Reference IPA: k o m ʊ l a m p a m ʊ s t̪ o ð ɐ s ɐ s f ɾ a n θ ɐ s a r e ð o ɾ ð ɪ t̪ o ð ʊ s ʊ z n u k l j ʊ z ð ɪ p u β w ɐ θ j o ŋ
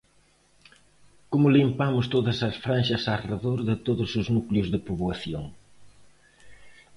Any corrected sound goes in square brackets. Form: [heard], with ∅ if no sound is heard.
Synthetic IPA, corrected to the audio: k o m ʊ l [i] m p a m ʊ s t̪ o ð ɐ s ɐ s f ɾ a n [ʃ] ɐ s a r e ð o ɾ ð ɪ t̪ o ð ʊ s ʊ z n u k l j ʊ z ð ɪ p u β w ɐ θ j o ŋ